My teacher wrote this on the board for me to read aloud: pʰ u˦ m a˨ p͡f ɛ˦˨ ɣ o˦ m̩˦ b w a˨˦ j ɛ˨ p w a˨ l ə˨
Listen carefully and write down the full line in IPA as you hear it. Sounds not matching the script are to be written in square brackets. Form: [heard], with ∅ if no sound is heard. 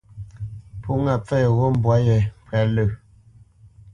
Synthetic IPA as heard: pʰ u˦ [ŋ] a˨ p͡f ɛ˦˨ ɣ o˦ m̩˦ b w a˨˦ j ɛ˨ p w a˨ l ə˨

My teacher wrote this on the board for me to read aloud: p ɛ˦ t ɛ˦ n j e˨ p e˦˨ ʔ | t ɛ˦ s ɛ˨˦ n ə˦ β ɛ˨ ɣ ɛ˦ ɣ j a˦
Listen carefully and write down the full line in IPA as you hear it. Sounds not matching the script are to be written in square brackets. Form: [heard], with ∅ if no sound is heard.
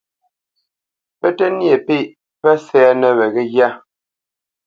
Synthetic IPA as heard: p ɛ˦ t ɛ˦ n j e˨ p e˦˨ ʔ | [p] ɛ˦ s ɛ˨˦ n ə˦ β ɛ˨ ɣ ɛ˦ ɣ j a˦

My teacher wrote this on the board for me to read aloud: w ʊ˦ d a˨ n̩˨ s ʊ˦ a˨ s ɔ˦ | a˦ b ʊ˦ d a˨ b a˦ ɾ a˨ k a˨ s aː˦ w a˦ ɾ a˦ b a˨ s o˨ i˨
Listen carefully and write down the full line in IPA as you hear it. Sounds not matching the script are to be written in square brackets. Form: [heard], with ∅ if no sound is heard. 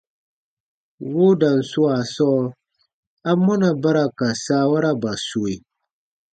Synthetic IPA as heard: w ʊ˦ d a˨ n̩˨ s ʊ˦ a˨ s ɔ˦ | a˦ [m] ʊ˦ [n] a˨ b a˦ ɾ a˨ k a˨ s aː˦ w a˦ ɾ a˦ b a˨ s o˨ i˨

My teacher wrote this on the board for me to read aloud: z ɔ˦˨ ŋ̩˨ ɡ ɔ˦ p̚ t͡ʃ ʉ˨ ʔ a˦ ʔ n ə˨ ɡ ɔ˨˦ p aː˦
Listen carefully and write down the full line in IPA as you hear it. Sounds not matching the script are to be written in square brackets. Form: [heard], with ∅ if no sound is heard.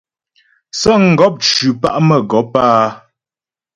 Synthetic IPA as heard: [s] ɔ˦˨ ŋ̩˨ ɡ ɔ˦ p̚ t͡ʃ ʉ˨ [p] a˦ ʔ [m] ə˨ ɡ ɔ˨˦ p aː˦

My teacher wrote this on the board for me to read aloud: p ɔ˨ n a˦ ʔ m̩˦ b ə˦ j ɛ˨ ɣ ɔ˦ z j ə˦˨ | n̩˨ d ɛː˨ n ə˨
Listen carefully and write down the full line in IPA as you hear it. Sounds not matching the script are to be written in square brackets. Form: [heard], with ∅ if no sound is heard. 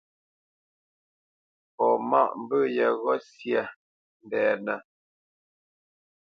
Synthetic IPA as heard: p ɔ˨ [m] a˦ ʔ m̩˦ b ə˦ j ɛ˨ ɣ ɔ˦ [s] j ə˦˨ | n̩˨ d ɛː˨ n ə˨

